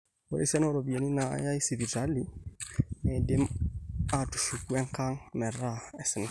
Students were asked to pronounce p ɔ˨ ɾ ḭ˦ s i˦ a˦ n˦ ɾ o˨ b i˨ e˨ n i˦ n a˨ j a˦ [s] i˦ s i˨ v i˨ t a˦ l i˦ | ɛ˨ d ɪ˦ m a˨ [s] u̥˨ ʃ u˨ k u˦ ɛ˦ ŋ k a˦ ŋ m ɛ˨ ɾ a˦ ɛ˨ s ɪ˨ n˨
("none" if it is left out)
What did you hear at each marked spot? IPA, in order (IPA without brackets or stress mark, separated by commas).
none, t